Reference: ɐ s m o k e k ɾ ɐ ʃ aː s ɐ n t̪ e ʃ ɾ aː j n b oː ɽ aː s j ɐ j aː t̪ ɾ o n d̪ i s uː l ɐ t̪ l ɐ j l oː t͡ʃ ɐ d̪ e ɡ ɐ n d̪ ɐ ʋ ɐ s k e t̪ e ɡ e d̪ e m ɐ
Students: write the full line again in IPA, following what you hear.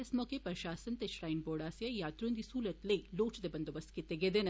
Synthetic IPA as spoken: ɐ s m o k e p ɾ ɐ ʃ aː s ɐ n t̪ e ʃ ɾ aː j n b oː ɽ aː s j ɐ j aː t̪ ɾ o n d̪ i s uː l ɐ t̪ l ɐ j l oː t͡ʃ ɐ d̪ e b ɐ n d̪ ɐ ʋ ɐ s k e t̪ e ɡ e d̪ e n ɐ